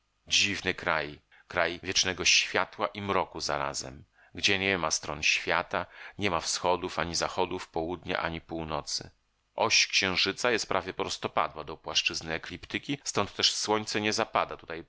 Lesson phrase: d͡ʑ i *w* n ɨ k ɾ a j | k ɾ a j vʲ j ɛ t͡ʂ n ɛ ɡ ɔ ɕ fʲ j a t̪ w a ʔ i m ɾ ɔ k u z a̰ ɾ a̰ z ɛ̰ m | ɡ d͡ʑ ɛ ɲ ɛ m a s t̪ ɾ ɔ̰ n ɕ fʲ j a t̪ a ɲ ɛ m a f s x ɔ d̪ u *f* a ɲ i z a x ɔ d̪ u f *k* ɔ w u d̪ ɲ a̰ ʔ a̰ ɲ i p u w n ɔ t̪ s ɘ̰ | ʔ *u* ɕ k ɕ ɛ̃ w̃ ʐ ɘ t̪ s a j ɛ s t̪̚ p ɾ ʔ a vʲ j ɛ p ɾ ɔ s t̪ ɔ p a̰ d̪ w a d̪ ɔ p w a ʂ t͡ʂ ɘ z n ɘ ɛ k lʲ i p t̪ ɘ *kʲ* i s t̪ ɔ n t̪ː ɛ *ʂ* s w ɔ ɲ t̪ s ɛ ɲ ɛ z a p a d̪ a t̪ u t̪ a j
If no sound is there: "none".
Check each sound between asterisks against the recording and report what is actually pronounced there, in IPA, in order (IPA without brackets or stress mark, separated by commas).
v, f, p, ɔ, kʲ, ʂ